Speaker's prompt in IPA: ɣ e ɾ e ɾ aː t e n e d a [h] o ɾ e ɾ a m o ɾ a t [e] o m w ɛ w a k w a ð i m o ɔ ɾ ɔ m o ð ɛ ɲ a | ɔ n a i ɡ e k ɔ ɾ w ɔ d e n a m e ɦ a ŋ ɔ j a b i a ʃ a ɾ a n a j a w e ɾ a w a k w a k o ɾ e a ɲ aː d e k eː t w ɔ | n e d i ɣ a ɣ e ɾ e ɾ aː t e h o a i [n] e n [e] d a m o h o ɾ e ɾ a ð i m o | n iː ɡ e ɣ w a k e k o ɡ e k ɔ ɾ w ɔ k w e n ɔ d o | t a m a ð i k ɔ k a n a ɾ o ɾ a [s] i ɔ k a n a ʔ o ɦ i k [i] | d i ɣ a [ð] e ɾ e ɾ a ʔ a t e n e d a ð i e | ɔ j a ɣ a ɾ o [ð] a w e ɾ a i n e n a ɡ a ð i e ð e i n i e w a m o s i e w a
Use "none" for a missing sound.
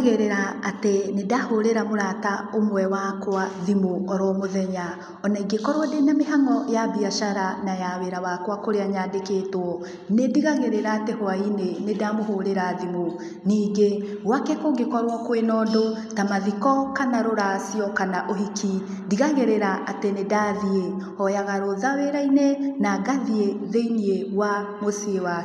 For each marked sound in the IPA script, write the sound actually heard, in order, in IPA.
h, a, n, e, s, i, ɣ, ð

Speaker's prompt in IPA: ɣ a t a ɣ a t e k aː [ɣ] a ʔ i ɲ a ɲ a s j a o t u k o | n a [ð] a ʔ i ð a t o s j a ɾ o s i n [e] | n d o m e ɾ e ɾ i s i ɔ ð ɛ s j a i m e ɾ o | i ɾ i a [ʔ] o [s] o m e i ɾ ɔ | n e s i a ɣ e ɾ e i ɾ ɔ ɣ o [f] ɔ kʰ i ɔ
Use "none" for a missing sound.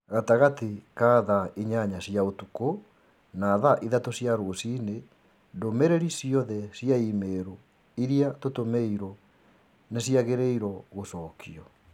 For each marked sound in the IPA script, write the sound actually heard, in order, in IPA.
ð, ð, e, t, t, s

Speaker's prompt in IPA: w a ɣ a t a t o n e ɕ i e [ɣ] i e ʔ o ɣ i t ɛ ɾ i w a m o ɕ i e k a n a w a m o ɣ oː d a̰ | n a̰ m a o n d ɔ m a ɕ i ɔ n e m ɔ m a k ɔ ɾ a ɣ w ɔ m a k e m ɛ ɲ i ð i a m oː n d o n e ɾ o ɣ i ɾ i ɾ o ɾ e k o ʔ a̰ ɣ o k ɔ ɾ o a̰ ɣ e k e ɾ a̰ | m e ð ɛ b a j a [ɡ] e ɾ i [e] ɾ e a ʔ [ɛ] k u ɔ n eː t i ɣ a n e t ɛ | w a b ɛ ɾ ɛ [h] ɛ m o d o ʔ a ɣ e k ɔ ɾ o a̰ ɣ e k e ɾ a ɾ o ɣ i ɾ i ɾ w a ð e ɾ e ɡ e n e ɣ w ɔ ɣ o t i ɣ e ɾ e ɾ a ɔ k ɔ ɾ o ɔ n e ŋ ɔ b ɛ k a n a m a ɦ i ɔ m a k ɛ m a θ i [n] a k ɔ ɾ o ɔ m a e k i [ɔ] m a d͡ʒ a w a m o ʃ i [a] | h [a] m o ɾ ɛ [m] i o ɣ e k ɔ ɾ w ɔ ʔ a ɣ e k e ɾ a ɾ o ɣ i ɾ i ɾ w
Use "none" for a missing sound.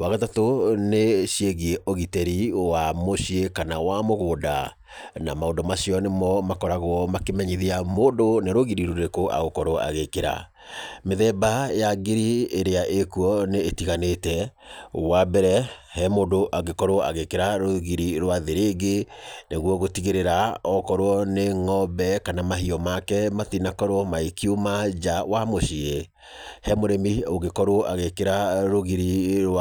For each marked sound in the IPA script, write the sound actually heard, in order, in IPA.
ɣ, ɡ, e, e, h, n, u, e, ɛ, m

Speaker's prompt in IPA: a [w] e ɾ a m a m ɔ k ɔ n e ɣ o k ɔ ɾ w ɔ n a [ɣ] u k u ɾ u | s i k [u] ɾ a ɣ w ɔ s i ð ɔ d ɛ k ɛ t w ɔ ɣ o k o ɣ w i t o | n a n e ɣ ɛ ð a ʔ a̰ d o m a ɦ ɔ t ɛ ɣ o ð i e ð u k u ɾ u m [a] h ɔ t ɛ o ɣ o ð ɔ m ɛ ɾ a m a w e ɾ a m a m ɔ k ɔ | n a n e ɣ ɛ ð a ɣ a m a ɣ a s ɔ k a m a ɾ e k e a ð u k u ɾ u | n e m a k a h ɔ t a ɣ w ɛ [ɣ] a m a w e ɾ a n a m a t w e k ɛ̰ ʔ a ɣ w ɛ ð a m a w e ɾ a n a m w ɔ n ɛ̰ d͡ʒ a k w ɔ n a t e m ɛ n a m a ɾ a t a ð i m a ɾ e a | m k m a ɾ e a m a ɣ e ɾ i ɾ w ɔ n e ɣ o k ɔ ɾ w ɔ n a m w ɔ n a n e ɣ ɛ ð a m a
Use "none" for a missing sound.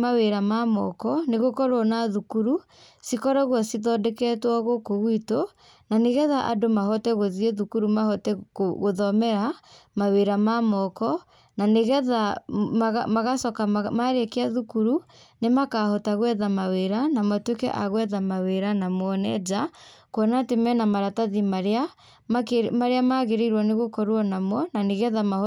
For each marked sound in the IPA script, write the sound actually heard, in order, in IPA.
w, ð, ɔ, a, ð

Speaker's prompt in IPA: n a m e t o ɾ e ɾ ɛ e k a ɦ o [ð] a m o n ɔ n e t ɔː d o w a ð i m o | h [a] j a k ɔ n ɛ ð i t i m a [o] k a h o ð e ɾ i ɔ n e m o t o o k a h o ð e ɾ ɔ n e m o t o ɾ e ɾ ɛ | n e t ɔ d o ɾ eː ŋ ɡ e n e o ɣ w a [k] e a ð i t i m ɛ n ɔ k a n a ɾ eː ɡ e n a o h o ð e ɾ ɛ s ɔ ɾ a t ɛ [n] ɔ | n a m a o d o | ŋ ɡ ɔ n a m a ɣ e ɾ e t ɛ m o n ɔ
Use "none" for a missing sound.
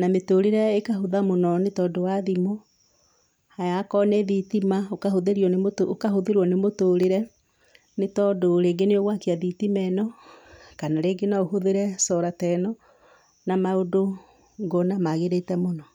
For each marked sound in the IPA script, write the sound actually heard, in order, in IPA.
ð, a, o, k, n

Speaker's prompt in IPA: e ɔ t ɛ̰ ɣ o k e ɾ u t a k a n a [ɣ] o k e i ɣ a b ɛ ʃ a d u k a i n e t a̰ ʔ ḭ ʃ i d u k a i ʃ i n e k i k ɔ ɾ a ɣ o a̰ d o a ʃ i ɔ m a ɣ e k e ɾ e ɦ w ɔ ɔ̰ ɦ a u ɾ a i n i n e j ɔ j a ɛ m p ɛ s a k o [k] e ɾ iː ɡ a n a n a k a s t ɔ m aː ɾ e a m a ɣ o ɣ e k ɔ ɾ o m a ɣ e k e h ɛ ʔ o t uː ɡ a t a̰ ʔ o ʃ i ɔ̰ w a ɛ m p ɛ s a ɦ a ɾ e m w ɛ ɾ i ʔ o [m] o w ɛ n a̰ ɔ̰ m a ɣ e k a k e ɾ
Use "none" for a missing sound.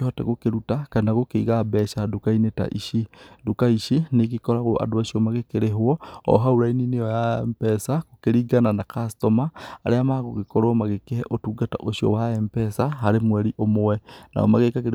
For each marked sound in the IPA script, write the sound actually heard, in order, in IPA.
ɣ, k, m

